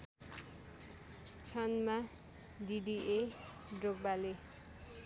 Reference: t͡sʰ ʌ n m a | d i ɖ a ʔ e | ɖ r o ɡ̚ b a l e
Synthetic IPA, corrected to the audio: t͡sʰ ʌ n m a | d i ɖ i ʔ e | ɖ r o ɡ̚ b a l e